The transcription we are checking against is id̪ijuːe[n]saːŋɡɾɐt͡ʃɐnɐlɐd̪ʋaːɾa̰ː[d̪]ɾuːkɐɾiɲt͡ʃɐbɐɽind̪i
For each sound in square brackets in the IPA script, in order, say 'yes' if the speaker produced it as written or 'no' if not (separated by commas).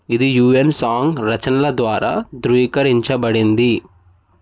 yes, yes